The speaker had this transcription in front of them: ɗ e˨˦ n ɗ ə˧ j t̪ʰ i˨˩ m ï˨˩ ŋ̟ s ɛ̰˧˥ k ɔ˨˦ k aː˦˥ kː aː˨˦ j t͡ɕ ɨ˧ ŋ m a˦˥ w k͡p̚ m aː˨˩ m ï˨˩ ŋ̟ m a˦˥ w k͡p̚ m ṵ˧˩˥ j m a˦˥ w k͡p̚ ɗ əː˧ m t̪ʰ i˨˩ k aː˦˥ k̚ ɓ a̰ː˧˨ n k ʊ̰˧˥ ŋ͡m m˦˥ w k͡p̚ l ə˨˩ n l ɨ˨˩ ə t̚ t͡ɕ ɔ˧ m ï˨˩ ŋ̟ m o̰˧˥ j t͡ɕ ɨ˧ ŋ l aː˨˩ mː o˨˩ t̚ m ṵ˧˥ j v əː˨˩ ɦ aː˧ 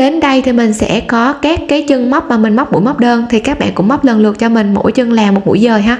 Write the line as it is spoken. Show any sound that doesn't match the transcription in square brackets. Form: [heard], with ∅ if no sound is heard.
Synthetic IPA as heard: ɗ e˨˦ n ɗ ə˧ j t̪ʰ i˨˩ m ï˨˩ ŋ̟ s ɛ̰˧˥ k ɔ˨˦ k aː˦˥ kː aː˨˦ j t͡ɕ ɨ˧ ŋ m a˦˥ w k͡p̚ m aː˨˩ m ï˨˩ ŋ̟ m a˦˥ w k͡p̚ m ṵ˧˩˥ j m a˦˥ w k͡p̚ ɗ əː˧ [n] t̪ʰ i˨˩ k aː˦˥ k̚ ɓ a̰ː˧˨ n k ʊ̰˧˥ ŋ͡m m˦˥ w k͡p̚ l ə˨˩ n l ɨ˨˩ ə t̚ t͡ɕ ɔ˧ m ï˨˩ ŋ̟ m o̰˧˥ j t͡ɕ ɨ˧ ŋ l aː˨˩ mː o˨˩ t̚ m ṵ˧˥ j [z] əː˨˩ ɦ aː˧

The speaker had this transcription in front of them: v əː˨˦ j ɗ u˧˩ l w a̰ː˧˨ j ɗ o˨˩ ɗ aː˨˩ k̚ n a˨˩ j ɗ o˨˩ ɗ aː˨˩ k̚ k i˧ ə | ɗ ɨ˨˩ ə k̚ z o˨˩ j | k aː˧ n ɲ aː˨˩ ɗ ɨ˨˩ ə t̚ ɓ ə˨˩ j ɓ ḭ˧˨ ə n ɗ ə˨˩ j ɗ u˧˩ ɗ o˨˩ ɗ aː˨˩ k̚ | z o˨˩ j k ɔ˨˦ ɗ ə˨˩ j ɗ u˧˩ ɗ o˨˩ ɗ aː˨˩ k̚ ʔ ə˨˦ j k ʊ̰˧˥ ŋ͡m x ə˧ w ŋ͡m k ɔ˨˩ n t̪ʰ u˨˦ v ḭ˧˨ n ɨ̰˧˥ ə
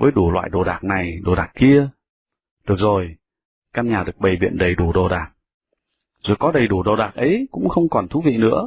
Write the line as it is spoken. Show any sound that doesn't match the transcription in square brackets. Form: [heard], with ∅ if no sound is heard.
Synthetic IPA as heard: v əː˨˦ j ɗ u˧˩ l w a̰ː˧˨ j ɗ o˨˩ ɗ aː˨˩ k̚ n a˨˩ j ɗ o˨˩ ɗ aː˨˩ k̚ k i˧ ə | ɗ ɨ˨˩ ə k̚ z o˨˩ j | k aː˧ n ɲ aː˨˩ ɗ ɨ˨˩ ə [k̚] ɓ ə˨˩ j ɓ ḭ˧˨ ə n ɗ ə˨˩ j ɗ u˧˩ ɗ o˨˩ ɗ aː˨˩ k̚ | z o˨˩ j k ɔ˨˦ ɗ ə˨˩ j ɗ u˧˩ ɗ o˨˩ ɗ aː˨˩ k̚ ʔ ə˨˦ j k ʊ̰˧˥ ŋ͡m x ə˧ w ŋ͡m k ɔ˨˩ n t̪ʰ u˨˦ v ḭ˧˨ n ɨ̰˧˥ ə

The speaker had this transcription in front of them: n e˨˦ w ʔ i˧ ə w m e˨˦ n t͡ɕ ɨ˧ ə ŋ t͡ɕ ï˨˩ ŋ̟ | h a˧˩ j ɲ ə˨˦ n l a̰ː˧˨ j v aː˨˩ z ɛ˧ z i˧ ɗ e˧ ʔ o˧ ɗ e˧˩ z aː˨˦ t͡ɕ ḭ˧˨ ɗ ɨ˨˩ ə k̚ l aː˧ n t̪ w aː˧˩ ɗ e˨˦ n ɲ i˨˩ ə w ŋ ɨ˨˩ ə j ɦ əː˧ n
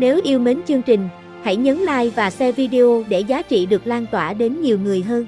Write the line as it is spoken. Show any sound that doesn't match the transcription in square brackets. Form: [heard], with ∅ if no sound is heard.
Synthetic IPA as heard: n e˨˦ w ʔ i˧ ə w m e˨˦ n t͡ɕ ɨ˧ ə ŋ t͡ɕ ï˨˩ ŋ̟ | h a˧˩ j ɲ ə˨˦ n l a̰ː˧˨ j v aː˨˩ [s] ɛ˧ [v] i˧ ɗ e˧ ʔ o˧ ɗ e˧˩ z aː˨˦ t͡ɕ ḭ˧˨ ɗ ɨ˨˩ ə k̚ l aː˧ n t̪ w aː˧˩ ɗ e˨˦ n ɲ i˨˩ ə w ŋ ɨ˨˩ ə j ɦ əː˧ n

